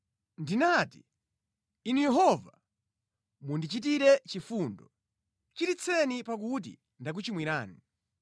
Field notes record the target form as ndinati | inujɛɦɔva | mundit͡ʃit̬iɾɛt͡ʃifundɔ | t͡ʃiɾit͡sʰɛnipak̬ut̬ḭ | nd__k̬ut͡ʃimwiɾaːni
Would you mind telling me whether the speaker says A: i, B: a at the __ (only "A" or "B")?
B